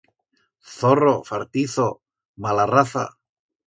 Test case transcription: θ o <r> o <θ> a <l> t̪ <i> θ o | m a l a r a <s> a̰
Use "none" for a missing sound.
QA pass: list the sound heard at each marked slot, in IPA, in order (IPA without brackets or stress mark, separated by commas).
r, f, ɾ, i, θ